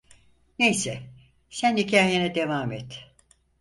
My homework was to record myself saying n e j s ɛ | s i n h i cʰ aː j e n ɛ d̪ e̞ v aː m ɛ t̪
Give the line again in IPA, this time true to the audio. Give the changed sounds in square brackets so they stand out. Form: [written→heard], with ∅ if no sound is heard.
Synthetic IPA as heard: n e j s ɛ | s [i→æ] n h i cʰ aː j e n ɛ d̪ e̞ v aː m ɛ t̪